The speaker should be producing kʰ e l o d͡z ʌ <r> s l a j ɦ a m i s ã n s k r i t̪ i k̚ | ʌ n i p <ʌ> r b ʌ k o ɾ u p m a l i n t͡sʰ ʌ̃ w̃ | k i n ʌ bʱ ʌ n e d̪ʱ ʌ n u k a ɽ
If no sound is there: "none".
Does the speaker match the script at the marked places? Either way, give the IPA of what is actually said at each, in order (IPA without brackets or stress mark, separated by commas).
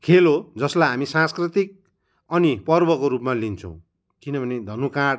none, ʌ